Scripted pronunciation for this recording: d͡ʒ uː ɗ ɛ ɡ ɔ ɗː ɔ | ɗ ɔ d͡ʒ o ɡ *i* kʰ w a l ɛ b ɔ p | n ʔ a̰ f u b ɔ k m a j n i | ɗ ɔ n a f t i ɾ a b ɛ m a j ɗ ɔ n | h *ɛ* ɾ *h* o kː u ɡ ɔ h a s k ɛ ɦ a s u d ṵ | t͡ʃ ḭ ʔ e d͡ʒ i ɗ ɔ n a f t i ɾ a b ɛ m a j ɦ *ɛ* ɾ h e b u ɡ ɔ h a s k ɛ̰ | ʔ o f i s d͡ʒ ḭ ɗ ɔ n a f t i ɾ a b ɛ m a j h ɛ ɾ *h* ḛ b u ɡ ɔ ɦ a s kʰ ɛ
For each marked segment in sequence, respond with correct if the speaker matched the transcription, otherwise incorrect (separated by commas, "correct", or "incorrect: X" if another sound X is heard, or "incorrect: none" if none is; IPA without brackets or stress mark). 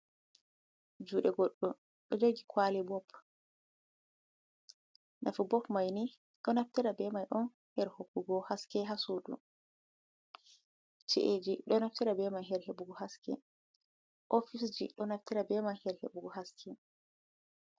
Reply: correct, correct, correct, correct, correct